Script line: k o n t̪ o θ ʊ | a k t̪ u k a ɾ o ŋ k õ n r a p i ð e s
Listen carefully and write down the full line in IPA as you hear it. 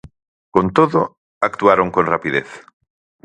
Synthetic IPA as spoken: k o n t̪ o ð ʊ | a k t̪ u a ɾ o ŋ k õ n r a p i ð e θ

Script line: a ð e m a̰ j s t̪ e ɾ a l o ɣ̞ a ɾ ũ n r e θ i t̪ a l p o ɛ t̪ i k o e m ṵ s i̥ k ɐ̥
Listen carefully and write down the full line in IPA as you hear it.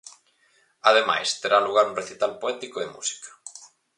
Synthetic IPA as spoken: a ð e m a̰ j s t̪ e ɾ a l u ɣ̞ a ɾ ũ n r e θ i t̪ a l p o ɛ t̪ i k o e m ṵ s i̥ k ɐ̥

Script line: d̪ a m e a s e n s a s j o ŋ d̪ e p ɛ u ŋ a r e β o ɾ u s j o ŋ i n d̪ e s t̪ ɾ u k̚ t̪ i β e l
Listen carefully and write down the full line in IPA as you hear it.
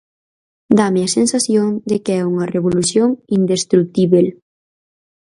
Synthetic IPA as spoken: d̪ a m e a s e n s a s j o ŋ d̪ e k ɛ u ŋ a r e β o l u s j o ŋ i n d̪ e s t̪ ɾ u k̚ t̪ i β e l

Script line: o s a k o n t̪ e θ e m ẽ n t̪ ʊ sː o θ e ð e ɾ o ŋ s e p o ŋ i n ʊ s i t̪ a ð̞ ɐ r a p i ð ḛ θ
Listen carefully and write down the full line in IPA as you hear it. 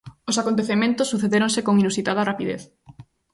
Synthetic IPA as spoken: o s a k o n t̪ e θ e m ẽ n t̪ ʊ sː u θ e ð e ɾ o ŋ s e k o ŋ i n u s i t̪ a ð̞ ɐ r a p i ð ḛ θ

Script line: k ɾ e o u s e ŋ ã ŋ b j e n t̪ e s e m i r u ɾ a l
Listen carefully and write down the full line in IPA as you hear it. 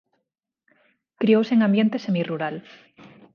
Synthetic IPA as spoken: k ɾ i o w s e ŋ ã m b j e n t̪ e s e m i r u ɾ a l

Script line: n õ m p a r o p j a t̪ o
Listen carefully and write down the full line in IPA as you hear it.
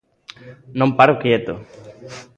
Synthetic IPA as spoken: n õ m p a ɾ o k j e t̪ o

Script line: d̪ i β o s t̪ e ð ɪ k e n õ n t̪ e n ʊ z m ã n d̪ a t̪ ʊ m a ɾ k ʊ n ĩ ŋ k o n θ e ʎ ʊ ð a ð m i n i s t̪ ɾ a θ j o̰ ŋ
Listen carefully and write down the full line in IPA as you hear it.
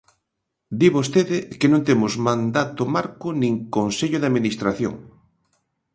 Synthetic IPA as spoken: d̪ i β o s t̪ e ð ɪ k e n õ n t̪ e m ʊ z m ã n d̪ a t̪ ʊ m a ɾ k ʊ n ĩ ŋ k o n s e ʎ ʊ ð a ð m i n i s t̪ ɾ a θ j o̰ ŋ

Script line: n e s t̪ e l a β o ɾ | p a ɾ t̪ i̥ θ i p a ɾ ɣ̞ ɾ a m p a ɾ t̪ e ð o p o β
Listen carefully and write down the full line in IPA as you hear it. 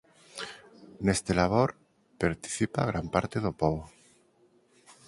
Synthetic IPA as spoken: n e s t̪ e l a β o ɾ | p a ɾ t̪ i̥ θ i p a ɣ̞ ɾ a m p a ɾ t̪ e ð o p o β

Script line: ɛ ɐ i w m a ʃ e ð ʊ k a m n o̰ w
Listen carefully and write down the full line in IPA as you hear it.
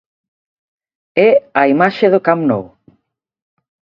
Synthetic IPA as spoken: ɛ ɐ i m a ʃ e ð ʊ k a m n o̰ w

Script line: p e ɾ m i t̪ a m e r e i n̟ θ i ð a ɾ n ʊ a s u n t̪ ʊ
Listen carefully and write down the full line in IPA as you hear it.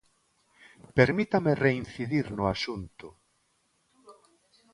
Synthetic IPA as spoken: p e ɾ m i t̪ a m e r e i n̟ θ i ð i ɾ n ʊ a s u n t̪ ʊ

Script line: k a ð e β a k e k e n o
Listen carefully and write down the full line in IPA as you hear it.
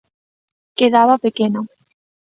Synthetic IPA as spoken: k e ð a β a p e k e n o

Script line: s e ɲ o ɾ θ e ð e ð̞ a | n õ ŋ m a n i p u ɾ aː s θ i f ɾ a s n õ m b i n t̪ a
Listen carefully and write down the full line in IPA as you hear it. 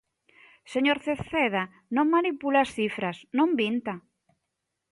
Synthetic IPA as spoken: s e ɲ o ɾ θ e θ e ð̞ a | n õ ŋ m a n i p u l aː s θ i f ɾ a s n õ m b i n t̪ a

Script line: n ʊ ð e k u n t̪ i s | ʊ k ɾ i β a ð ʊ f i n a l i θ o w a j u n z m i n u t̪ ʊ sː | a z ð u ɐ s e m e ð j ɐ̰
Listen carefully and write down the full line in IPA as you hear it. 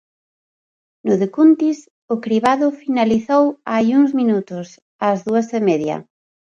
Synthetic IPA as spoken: n ʊ ð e k u n t̪ i s | ʊ k ɾ i β a ð ʊ f i n a l i θ o w a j u ŋ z m i n u t̪ ʊ s | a z ð u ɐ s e m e ð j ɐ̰

